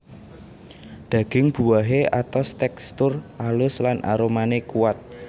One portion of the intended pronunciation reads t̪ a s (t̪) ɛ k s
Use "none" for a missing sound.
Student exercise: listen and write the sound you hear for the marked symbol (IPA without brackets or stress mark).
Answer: t̪